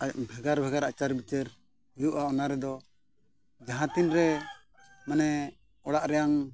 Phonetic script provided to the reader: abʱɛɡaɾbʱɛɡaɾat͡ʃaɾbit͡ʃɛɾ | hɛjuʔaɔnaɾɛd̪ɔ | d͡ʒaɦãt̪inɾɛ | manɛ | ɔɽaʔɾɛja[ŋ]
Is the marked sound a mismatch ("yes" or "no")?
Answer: no